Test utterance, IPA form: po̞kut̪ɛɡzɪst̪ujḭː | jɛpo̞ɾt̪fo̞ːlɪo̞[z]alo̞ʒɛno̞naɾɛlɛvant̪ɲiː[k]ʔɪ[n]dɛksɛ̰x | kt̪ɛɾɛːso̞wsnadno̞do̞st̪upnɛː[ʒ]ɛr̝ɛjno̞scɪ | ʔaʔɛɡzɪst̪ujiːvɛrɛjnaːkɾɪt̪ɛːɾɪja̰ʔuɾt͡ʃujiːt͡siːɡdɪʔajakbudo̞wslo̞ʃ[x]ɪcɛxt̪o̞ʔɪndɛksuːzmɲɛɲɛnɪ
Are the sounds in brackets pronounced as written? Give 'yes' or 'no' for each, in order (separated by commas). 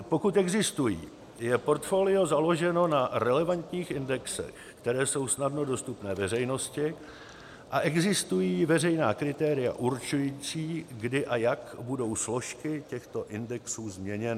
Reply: yes, no, yes, no, no